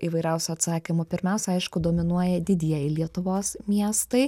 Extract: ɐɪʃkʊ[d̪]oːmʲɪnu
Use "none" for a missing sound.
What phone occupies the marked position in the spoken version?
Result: d̪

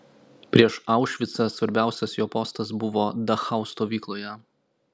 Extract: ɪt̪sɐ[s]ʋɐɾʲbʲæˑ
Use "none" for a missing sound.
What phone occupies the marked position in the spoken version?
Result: s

